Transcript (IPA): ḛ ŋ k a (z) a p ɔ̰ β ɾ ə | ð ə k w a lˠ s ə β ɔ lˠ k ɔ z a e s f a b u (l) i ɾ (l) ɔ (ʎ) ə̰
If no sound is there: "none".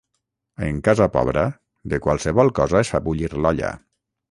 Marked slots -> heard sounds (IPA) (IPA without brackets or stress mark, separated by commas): z, ʎ, l, ʎ